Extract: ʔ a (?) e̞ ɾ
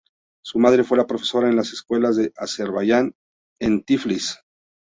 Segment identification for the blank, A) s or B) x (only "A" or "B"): A